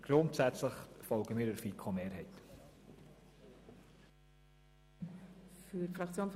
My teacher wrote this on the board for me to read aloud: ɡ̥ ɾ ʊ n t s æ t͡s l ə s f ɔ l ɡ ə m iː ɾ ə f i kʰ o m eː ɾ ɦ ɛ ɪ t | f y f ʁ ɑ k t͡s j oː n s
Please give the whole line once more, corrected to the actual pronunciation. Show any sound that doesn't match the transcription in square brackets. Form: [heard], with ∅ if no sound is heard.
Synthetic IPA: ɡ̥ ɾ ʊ n t s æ t͡s l ə [χ] f ɔ l ɡ ə m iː ɾ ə f i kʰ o m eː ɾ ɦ ɛ ɪ t | f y f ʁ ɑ k t͡s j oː n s